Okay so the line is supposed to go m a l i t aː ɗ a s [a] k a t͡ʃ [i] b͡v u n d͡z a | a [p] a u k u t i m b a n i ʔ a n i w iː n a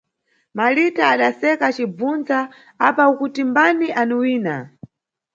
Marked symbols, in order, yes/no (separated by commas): no, yes, yes